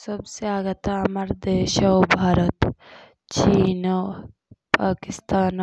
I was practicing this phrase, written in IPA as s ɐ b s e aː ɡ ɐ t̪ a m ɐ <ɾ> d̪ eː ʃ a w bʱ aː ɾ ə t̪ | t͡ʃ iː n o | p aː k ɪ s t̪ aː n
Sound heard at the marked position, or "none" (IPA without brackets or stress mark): ɾ